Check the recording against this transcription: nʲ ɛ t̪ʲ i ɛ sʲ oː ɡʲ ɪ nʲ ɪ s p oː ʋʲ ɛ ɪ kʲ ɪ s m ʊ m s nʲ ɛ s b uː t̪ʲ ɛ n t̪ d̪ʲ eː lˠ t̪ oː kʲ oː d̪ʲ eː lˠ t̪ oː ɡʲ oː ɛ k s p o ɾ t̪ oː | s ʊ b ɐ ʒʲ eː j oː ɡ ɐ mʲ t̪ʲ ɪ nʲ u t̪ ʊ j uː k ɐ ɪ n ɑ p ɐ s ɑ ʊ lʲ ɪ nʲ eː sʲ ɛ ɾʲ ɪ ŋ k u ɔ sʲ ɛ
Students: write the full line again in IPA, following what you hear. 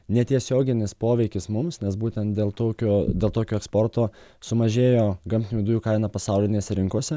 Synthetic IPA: nʲ ɛ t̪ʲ i ɛ sʲ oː ɡʲ ɪ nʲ ɪ s p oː ʋʲ ɛ ɪ kʲ ɪ s m ʊ m s nʲ ɛ s b uː t̪ʲ ɛ n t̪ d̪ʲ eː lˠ t̪ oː kʲ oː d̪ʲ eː lˠ t̪ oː kʲ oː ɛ k s p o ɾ t̪ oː | s ʊ m ɐ ʒʲ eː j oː ɡ ɐ mʲ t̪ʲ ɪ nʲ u d̪ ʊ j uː k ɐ ɪ n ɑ p ɐ s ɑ ʊ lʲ ɪ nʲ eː sʲ ɛ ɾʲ ɪ ŋ k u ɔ sʲ ɛ

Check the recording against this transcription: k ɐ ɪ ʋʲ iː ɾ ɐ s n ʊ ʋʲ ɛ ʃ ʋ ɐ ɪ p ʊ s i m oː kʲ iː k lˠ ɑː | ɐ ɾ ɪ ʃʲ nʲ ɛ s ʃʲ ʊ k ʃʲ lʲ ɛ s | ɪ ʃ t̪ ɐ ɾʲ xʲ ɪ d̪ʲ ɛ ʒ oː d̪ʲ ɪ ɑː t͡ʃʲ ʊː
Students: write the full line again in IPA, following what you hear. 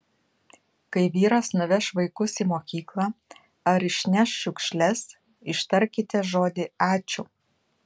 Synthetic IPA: k ɐ ɪ ʋʲ iː ɾ ɐ s n ʊ ʋʲ ɛ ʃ ʋ ɐ ɪ k ʊ s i m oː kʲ iː k lˠ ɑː | ɐ ɾ ɪ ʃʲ nʲ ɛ ʃ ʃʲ ʊ k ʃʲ lʲ ɛ s | ɪ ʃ t̪ ɐ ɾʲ kʲ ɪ t̪ʲ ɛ ʒ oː d̪ʲ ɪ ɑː t͡ʃʲ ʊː

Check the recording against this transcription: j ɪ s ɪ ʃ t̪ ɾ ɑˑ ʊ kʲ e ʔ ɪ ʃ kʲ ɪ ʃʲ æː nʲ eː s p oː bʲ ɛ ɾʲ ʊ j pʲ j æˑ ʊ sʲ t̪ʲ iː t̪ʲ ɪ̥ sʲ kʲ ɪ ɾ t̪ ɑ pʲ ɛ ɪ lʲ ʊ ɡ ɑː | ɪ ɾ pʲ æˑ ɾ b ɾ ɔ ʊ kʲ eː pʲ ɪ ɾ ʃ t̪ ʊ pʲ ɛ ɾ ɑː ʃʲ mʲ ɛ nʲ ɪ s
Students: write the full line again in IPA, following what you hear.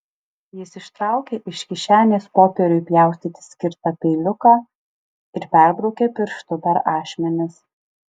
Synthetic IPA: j ɪ s ɪ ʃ t̪ ɾ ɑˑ ʊ kʲ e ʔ ɪ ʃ kʲ ɪ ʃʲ æː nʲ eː s p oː pʲ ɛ ɾʲ ʊ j pʲ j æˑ ʊ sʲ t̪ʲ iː t̪ʲ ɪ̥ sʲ kʲ ɪ ɾ t̪ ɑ pʲ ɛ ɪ lʲ ʊ k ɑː | ɪ ɾ pʲ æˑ ɾ b ɾ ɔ ʊ kʲ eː pʲ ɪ ɾ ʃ t̪ ʊ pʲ ɛ ɾ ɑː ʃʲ mʲ ɛ nʲ ɪ s

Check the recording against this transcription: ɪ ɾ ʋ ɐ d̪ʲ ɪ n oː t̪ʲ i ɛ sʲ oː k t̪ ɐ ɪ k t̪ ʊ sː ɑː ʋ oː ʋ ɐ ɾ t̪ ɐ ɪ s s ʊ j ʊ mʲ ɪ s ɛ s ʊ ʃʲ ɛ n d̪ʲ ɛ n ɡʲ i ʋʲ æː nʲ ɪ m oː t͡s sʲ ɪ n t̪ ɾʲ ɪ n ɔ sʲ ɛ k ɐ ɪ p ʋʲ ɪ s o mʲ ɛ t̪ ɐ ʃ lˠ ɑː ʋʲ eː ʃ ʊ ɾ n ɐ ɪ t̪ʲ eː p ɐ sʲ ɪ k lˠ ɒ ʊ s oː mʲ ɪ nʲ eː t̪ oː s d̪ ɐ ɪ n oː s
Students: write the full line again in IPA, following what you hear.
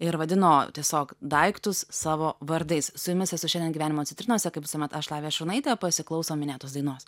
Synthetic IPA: ɪ ɾ ʋ ɐ d̪ʲ ɪ n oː t̪ʲ i ɛ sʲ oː k d̪ ɐ ɪ k t̪ ʊ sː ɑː ʋ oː ʋ ɐ ɾ d̪ ɐ ɪ s s ʊ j ʊ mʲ ɪ s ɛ s ʊ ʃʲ ɛ n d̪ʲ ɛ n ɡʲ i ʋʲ æː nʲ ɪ m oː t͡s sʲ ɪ n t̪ ɾʲ ɪ n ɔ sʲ ɛ k ɐ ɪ p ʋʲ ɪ s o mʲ ɛ t̪ ɐ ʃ lˠ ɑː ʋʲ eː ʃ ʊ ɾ n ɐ ɪ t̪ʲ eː p ɐ sʲ ɪ k lˠ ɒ ʊ s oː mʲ ɪ nʲ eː t̪ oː s d̪ ɐ ɪ n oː s

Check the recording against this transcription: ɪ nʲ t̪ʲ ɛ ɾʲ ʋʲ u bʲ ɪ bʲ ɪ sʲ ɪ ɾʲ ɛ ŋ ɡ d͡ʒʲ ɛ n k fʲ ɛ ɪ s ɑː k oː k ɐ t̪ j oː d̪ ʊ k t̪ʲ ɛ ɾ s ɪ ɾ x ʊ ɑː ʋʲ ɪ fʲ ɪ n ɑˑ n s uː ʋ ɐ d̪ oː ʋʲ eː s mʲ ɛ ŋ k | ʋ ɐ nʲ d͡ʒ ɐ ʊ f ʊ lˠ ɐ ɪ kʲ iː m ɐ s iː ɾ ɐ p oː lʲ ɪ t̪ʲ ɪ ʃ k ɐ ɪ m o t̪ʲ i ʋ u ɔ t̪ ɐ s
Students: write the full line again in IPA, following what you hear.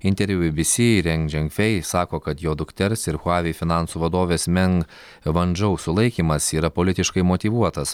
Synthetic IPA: ɪ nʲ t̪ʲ ɛ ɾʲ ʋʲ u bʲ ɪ bʲ ɪ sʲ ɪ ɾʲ ɛ ŋ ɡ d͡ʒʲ ɛ ŋ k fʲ ɛ ɪ s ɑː k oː k ɐ t̪ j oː d̪ ʊ k t̪ʲ ɛ ɾ s ɪ ɾ x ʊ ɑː ʋʲ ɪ fʲ ɪ n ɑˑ n s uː ʋ ɐ d̪ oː ʋʲ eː s mʲ ɛ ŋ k | ʋ ɐ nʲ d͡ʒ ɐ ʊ s ʊ lˠ ɐ ɪ kʲ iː m ɐ s iː ɾ ɐ p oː lʲ ɪ t̪ʲ ɪ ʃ k ɐ ɪ m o t̪ʲ i ʋ u ɔ t̪ ɐ s

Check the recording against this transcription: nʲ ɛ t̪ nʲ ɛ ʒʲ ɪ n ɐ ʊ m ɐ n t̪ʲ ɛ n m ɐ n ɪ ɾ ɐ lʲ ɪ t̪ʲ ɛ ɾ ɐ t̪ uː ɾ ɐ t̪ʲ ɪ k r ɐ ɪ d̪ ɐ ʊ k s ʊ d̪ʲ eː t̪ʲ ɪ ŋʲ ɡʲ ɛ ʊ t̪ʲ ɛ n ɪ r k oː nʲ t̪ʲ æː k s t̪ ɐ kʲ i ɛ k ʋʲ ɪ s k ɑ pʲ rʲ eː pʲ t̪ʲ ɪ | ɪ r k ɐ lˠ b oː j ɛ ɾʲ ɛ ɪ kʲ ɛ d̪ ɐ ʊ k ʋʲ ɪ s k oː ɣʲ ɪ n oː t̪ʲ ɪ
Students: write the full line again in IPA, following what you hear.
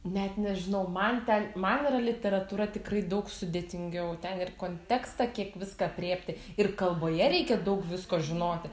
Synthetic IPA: nʲ ɛ t̪ nʲ ɛ ʒʲ ɪ n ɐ ʊ m ɐ n t̪ʲ ɛ n m ɐ n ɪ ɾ ɐ lʲ ɪ t̪ʲ ɛ ɾ ɐ t̪ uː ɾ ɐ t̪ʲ ɪ k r ɐ ɪ d̪ ɐ ʊ k s ʊ d̪ʲ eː t̪ʲ ɪ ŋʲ ɡʲ ɛ ʊ t̪ʲ ɛ n ɪ r k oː nʲ t̪ʲ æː k s t̪ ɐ kʲ i ɛ k ʋʲ ɪ s k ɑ pʲ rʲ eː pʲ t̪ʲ ɪ | ɪ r k ɐ lˠ b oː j ɛ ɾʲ ɛ ɪ kʲ ɛ d̪ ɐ ʊ k ʋʲ ɪ s k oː ʒʲ ɪ n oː t̪ʲ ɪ

